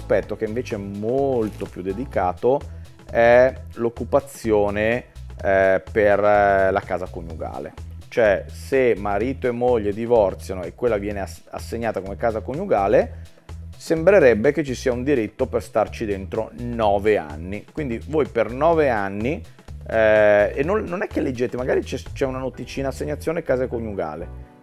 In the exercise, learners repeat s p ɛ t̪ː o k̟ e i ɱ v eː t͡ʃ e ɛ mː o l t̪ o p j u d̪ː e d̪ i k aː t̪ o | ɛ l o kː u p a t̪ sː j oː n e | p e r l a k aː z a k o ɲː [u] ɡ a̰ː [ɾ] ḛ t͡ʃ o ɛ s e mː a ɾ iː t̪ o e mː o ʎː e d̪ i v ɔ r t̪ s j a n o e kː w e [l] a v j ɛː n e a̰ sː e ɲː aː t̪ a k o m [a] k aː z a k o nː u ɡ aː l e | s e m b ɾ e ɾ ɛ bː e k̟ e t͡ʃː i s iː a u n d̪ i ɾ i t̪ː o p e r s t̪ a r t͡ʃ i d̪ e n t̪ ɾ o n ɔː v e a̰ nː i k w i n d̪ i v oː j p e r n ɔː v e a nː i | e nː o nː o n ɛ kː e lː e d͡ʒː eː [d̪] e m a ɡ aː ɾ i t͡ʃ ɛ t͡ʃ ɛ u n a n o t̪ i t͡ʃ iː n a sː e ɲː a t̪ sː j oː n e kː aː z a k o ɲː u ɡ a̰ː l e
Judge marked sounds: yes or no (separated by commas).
yes, no, no, no, no